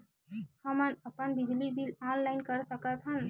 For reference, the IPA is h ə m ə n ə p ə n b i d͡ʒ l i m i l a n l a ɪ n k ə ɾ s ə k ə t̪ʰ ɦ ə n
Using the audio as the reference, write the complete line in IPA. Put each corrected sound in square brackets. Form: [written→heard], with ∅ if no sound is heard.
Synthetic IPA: h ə m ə n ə p ə n b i d͡ʒ l i [m→b] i l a n l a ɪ n k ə ɾ s ə k ə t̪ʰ ɦ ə n